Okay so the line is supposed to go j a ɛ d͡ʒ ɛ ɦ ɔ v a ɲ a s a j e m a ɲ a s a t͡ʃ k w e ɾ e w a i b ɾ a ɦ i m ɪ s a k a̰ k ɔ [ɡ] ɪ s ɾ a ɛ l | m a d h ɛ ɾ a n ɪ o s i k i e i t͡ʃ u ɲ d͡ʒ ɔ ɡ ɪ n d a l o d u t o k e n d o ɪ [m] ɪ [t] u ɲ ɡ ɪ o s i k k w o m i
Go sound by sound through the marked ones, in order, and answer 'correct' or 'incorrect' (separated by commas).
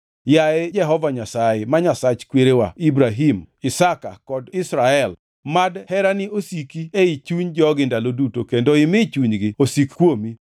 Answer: incorrect, correct, incorrect